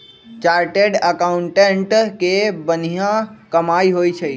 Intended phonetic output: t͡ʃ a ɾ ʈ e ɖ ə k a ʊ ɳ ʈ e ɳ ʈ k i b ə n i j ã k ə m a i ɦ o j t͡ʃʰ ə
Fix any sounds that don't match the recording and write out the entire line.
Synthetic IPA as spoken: t͡ʃ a ɾ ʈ e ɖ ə k a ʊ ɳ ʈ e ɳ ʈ k e b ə n i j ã k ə m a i ɦ o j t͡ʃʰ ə